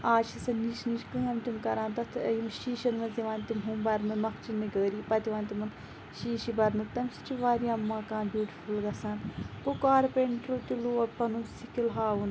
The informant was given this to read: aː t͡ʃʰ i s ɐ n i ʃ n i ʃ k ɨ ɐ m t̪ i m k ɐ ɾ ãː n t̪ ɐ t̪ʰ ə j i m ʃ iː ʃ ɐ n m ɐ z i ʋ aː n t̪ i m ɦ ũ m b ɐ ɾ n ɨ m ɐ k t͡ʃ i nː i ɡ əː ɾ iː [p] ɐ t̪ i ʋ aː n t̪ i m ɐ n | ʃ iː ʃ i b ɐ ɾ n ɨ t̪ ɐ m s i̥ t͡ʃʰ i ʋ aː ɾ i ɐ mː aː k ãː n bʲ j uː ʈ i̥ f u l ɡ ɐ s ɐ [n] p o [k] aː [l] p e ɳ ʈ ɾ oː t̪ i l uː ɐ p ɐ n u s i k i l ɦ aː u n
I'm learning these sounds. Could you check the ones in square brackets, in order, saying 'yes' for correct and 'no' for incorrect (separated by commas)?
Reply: yes, yes, yes, no